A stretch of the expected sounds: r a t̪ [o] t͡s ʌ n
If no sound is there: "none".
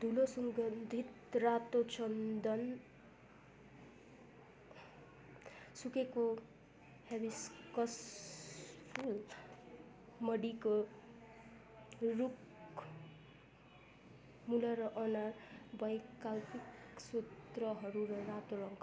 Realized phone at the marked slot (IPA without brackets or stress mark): o